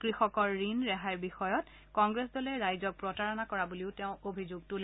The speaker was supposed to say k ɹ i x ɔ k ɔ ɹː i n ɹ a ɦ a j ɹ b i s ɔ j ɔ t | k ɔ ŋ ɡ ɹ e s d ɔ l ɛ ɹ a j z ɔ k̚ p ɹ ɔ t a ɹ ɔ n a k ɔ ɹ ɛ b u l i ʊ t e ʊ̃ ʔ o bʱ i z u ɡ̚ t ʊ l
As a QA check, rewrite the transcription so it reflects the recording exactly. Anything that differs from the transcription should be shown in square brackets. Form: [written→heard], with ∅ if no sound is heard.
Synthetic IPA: k ɹ i x ɔ k ɔ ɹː i n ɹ [a→ɛ] ɦ a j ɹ b i [s→x] ɔ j ɔ t | k ɔ ŋ ɡ ɹ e s d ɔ l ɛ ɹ a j z ɔ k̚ p ɹ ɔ t a ɹ ɔ n a k ɔ ɹ [ɛ→a] b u l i ʊ t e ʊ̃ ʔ o bʱ i z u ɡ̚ t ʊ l

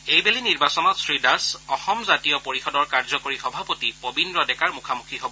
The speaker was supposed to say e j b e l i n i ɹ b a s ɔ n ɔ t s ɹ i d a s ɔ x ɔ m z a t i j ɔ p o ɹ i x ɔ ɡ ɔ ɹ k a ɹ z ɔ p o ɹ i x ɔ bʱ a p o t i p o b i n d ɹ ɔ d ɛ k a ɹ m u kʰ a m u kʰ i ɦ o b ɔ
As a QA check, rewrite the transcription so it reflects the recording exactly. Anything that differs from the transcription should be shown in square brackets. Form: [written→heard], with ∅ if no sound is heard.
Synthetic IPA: e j b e l i n i ɹ b a s ɔ n ɔ t s ɹ i d a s ɔ x ɔ m z a t i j ɔ p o ɹ i x ɔ [ɡ→d] ɔ ɹ k a ɹ z ɔ [p→k] o ɹ i x ɔ bʱ a p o t i p o b i n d ɹ ɔ d ɛ k a ɹ m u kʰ a m u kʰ i ɦ o b ɔ

